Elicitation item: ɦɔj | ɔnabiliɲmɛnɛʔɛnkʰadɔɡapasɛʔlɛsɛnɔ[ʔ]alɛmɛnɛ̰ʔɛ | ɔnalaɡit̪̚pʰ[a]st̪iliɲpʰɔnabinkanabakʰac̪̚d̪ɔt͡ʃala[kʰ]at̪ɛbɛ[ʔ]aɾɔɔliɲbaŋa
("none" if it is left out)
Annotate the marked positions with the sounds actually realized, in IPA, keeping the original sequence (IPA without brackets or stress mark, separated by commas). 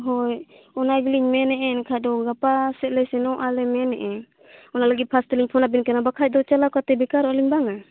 ʔ, a, k, k